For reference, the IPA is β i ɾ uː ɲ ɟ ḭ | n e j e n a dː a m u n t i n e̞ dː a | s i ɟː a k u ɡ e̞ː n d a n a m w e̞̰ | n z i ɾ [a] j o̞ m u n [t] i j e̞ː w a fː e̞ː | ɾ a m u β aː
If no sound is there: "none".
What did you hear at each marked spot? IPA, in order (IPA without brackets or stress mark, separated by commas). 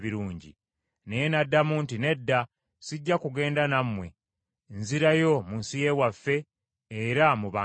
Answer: a, s